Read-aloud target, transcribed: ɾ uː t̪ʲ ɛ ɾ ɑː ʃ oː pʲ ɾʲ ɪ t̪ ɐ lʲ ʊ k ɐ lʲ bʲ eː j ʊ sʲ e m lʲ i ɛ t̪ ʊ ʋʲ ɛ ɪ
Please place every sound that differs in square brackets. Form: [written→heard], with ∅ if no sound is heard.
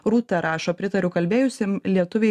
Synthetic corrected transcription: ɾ uː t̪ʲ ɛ ɾ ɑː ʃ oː pʲ ɾʲ ɪ t̪ ɐ [lʲ→ɾʲ] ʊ k ɐ lʲ bʲ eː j ʊ sʲ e m lʲ i ɛ t̪ ʊ ʋʲ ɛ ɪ